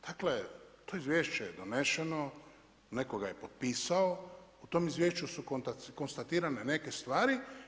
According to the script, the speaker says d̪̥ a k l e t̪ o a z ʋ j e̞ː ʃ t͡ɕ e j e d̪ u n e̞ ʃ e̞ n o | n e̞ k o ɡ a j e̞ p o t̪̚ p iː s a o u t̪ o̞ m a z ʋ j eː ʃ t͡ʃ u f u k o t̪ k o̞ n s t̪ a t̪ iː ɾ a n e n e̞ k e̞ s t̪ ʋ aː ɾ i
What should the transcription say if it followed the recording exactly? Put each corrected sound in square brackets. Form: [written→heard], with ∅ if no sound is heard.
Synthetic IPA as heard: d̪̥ a k l e t̪ o [a→i] z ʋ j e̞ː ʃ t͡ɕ e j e d̪ [u→o] n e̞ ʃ e̞ n o | n e̞ k o ɡ a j e̞ p o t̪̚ p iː s a o u t̪ o̞ m [a→i] z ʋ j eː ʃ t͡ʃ u [f→s] u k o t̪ k o̞ n s t̪ a t̪ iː ɾ a n e n e̞ k e̞ s t̪ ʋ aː ɾ i